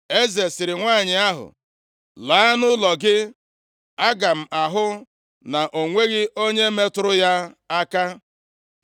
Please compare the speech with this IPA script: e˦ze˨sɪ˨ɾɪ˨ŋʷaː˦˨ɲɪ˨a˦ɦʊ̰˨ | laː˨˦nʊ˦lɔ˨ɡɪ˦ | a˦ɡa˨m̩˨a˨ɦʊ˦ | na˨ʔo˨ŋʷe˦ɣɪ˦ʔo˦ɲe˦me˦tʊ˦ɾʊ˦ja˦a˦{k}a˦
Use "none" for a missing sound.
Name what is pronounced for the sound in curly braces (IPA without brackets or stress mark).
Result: k